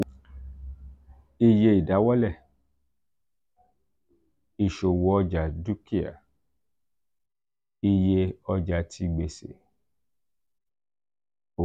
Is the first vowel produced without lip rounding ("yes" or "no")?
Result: yes